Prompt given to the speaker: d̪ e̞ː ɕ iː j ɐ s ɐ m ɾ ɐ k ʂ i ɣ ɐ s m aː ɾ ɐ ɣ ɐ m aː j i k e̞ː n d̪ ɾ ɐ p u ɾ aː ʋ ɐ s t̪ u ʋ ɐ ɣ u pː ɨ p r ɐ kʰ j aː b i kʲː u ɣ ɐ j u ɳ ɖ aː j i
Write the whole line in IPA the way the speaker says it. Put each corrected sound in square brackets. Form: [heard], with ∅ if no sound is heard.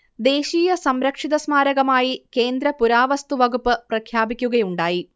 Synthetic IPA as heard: d̪ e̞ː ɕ iː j ɐ s ɐ m ɾ ɐ k ʂ i [ð] ɐ s m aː ɾ ɐ ɣ ɐ m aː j i k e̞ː n d̪ ɾ ɐ p u ɾ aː ʋ ɐ s t̪ u ʋ ɐ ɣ u pː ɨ p r ɐ kʰ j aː b i kʲː u ɣ ɐ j u ɳ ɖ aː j i